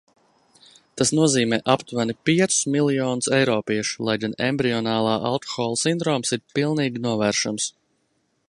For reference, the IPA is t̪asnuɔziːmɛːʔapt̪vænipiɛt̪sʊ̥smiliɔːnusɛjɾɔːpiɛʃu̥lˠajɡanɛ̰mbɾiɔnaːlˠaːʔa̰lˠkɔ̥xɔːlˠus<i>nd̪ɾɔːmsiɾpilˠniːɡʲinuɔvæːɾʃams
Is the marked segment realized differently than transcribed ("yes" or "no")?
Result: no